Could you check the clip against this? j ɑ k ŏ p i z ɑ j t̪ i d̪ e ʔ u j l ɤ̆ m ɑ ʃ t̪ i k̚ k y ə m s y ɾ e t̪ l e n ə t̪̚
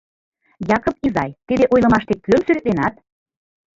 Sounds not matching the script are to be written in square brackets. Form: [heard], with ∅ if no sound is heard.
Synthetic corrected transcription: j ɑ k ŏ p i z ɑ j t̪ i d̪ e ʔ [o] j l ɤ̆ m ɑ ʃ t̪ [e] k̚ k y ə m s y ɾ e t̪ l e n [ɑ] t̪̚

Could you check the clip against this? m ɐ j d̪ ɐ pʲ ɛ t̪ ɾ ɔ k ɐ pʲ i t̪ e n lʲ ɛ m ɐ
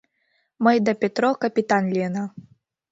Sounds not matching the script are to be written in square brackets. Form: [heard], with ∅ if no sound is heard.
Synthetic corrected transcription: m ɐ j d̪ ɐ pʲ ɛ t̪ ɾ ɔ k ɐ pʲ i t̪ [a] n lʲ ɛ [n] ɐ

